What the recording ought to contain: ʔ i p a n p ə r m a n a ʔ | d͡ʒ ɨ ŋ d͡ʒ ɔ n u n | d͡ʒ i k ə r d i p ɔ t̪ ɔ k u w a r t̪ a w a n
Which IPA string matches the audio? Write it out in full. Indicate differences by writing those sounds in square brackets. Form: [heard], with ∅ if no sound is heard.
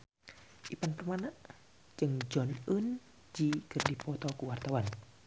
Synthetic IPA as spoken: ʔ i p a n p ə r m a n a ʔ | d͡ʒ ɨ ŋ d͡ʒ ɔ n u n | d͡ʒ i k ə r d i p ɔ t̪ ɔ k u w a r t̪ a w a n